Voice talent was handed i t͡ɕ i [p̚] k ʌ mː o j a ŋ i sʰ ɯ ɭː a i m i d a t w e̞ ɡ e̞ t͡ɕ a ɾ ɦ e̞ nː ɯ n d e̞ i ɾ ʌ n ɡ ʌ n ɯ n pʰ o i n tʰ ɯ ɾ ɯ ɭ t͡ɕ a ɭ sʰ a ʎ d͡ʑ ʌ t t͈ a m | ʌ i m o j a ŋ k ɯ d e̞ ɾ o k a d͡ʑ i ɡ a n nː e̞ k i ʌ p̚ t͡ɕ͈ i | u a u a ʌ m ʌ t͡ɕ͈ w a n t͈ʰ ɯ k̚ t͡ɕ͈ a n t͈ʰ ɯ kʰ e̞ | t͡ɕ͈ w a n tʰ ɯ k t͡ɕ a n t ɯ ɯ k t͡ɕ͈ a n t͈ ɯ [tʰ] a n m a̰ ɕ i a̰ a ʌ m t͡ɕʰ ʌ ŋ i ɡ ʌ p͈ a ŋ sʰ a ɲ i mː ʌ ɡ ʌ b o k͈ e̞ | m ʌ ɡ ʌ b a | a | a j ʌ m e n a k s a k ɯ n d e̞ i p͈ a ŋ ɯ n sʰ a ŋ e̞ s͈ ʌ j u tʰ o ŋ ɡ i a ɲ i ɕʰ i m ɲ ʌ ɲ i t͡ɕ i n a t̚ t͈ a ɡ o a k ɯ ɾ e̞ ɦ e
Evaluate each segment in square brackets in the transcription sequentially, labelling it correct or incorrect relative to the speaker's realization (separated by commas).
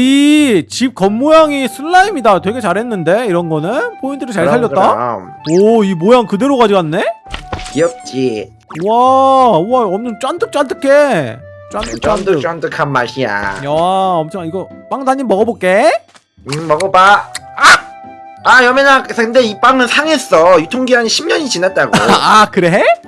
correct, incorrect